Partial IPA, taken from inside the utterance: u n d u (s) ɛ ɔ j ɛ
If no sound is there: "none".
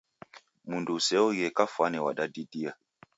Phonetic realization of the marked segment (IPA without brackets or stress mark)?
s